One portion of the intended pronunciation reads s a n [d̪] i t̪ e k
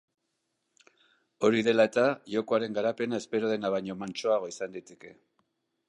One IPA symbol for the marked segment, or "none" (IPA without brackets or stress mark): d̪